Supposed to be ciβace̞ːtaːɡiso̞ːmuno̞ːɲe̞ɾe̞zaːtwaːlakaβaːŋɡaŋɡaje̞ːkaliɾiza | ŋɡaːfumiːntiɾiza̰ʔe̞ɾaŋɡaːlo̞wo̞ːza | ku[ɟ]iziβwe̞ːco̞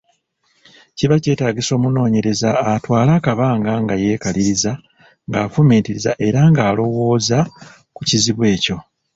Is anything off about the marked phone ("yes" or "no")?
yes